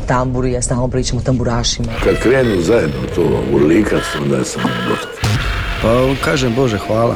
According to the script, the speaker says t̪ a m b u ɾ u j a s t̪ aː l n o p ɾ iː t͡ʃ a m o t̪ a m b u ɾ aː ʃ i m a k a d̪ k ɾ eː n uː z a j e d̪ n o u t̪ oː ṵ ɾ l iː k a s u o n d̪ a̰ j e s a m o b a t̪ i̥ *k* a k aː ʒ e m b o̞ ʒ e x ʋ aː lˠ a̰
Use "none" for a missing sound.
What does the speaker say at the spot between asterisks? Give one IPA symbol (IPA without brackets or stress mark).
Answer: p